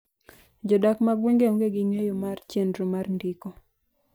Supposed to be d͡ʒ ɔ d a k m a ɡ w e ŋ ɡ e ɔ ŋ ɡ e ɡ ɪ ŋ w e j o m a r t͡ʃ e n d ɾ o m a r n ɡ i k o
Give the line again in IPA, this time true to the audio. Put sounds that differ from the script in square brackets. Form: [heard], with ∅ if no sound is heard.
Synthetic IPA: d͡ʒ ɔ d a k m a ɡ w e ŋ ɡ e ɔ ŋ ɡ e ɡ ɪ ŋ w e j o m a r t͡ʃ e n d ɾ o m a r n [d] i k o